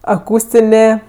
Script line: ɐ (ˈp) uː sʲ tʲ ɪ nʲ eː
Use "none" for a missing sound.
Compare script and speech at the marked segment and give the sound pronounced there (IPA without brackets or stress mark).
k